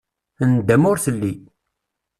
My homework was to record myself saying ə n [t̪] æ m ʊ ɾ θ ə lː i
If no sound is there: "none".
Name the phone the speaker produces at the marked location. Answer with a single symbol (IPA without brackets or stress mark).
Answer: d̪